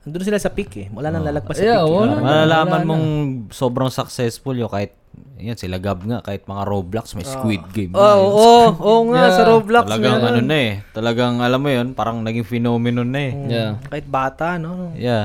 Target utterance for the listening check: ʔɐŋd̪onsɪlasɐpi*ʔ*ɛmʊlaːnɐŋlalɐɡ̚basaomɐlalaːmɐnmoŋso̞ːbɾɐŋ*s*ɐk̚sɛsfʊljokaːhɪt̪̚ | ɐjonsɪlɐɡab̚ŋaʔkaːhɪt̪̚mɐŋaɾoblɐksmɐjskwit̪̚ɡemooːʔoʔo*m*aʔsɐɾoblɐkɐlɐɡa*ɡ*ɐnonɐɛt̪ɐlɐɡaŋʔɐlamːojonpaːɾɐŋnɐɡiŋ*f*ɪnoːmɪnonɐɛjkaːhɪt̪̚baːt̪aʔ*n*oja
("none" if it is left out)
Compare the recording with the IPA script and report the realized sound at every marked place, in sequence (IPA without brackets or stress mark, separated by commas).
k, s, ŋ, ŋ, f, n